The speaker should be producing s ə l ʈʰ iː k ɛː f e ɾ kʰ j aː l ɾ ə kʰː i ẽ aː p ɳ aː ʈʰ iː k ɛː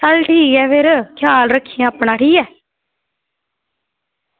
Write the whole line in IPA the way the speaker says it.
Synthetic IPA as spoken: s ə l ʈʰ iː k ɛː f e ɾ kʰ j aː l ɾ ə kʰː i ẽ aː p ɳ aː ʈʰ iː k ɛː

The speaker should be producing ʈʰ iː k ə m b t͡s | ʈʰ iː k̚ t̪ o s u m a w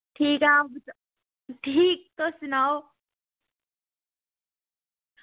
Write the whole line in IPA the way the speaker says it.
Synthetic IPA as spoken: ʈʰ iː k a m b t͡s | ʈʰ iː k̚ t̪ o s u n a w

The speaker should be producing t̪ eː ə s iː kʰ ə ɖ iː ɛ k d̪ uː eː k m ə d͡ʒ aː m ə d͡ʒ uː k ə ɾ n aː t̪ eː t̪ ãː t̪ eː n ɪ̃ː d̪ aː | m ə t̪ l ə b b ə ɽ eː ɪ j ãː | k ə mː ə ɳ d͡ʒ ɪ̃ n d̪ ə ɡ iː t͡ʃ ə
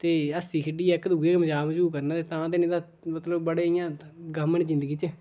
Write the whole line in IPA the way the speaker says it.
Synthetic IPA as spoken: t̪ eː ə s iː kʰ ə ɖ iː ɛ k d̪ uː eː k m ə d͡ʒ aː m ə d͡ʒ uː k ə ɾ n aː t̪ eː t̪ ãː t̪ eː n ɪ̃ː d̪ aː | m ə t̪ l ə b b ə ɽ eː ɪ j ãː | ɡ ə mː ə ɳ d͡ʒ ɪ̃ n d̪ ə ɡ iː t͡ʃ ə

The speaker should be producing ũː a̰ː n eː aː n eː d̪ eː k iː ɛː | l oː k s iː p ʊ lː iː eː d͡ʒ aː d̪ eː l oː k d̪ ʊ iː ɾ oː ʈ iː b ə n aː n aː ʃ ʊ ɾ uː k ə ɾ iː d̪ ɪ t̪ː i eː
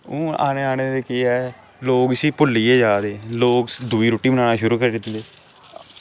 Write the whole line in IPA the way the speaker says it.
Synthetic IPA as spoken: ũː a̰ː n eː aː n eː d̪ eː k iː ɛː | l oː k s iː p ʊ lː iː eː d͡ʒ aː d̪ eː l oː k d̪ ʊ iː ɾ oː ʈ iː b ə n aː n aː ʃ ʊ ɾ uː k ə ɾ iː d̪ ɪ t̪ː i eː

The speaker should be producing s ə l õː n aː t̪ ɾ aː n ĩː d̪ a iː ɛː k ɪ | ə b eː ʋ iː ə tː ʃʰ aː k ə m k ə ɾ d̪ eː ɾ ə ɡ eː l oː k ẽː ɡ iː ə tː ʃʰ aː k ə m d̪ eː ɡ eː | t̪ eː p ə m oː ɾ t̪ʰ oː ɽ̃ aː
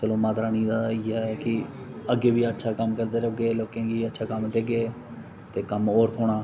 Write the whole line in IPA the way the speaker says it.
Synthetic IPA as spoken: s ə l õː m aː t̪ ɾ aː n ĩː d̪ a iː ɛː k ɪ | ə ɡ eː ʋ iː ə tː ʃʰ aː k ə m k ə ɾ d̪ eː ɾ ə ɡ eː l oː k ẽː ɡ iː ə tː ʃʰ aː k ə m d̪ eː ɡ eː | t̪ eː k ə m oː ɾ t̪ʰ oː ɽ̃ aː

